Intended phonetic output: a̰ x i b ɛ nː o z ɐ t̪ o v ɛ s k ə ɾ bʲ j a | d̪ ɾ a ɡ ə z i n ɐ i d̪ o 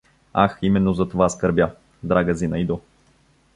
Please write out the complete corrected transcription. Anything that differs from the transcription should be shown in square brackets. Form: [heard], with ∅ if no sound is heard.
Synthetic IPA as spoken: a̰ x i [m] ɛ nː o z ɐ t̪ o v [a] s k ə ɾ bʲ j a | d̪ ɾ a ɡ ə z i n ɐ i d̪ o

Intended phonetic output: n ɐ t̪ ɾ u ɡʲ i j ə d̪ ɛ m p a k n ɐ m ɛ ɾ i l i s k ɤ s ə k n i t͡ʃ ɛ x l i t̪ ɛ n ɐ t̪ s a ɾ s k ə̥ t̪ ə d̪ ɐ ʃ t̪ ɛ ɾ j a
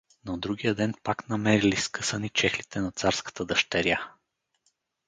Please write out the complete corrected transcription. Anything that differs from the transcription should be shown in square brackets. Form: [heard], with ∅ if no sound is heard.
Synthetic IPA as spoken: n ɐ [d̪] ɾ u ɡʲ i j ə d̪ ɛ [n] p a k n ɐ m ɛ ɾ i l i s k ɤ s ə [∅] n i t͡ʃ ɛ x l i t̪ ɛ n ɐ t̪ s a ɾ s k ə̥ t̪ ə d̪ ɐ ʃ t̪ ɛ ɾ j a

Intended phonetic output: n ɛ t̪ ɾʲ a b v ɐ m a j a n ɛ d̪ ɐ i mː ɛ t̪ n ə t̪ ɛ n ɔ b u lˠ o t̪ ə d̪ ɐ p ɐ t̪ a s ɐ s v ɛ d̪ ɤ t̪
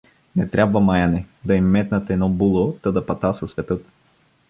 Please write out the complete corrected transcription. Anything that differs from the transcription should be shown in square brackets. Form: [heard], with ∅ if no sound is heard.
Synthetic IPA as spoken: n ɛ t̪ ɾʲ a b v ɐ m a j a n ɛ d̪ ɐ i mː ɛ t̪ n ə t̪ ɛ n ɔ b u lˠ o t̪ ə d̪ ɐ p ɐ t̪ a s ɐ s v ɛ [t̪] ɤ t̪

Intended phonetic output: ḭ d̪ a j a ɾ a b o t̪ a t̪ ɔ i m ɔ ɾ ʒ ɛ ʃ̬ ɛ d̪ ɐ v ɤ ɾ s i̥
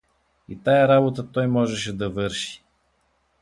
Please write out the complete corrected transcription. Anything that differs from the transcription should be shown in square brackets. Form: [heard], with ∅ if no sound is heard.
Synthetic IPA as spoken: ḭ [t̪] a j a ɾ a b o t̪ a t̪ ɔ [j] m ɔ [∅] ʒ ɛ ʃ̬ ɛ d̪ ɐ v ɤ ɾ [ʃ] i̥

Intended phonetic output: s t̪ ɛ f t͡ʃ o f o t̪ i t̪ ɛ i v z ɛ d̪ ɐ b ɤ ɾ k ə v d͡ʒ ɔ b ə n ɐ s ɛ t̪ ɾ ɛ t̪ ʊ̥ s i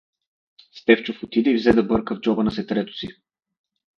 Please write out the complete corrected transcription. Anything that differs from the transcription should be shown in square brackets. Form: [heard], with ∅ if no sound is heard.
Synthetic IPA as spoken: s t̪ ɛ f t͡ʃ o f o t̪ i [d̪] ɛ i v z ɛ d̪ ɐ b ɤ ɾ k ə v d͡ʒ ɔ b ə n ɐ s ɛ t̪ ɾ ɛ t̪ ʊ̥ s i

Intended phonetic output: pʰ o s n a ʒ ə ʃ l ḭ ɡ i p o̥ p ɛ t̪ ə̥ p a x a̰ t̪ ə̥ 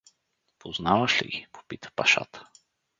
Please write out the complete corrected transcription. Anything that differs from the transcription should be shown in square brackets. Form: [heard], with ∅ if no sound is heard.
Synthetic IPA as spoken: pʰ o [z] n a [v] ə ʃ l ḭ ɡ i p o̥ p [i] t̪ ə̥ p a [ʃ] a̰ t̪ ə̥

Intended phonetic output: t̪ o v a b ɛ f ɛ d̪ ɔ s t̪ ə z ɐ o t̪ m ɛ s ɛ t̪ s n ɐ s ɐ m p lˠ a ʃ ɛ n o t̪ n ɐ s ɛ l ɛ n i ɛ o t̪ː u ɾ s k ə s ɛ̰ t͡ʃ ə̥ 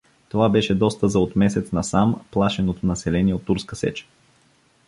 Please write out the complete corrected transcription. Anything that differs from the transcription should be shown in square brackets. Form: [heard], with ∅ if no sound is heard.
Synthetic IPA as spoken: t̪ o v a b ɛ [ʃ] ɛ d̪ ɔ s t̪ ə z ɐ o t̪ m ɛ s ɛ t̪ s n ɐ s [a] m p lˠ a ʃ ɛ n o t̪ n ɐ s ɛ l ɛ n i ɛ o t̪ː u ɾ s k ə s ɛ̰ t͡ʃ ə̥

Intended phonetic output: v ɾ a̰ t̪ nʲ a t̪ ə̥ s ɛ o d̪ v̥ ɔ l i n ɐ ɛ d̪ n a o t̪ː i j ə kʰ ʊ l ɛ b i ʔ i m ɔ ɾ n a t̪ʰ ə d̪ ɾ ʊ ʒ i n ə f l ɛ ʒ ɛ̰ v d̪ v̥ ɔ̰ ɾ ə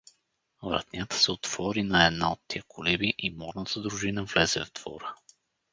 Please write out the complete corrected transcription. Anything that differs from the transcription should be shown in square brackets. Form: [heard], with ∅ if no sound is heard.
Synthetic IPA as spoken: v ɾ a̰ t̪ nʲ a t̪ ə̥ s ɛ o [t̪] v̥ ɔ [ɾ] i n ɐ ɛ d̪ n a o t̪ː i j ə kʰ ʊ l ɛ b i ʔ i m ɔ ɾ n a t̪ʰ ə d̪ ɾ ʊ ʒ i n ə [v] l ɛ [z] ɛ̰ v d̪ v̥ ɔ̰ ɾ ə

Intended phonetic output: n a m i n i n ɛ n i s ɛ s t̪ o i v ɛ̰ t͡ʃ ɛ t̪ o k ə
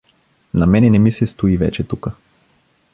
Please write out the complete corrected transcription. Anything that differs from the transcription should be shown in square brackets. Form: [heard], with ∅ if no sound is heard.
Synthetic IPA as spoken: n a m [ɛ] n [ɛ] n ɛ [m] i s ɛ s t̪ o i v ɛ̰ t͡ʃ ɛ t̪ [u] k ə

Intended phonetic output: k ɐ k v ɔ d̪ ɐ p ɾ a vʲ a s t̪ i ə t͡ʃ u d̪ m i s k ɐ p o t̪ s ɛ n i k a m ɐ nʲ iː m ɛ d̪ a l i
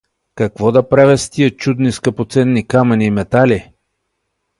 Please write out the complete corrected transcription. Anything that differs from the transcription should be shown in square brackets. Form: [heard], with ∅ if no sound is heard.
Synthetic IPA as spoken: k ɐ k v ɔ d̪ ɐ p ɾ a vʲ [ɛ] s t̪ i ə t͡ʃ u d̪ [n] i s k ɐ p o t̪ s ɛ [nː] i k a m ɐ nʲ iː m ɛ [t̪] a l i

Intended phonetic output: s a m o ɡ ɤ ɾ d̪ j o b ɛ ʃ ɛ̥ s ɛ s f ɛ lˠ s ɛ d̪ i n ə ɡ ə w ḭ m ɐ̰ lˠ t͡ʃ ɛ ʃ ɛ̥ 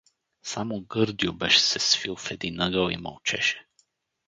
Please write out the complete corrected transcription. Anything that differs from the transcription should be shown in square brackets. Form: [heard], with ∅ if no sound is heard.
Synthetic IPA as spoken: s a m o ɡ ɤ ɾ d̪ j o b ɛ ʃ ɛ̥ s ɛ s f [i] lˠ [f] ɛ d̪ i n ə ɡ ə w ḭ m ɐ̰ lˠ t͡ʃ ɛ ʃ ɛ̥

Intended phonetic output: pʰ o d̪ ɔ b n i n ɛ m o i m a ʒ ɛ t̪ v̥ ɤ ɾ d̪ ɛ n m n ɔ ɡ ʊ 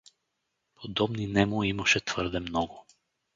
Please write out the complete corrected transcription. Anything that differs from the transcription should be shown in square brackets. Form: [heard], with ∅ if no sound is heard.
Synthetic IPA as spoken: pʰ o d̪ ɔ b n i n ɛ m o i m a [ʃ] ɛ t̪ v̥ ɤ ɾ d̪ ɛ [∅] m n ɔ ɡ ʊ

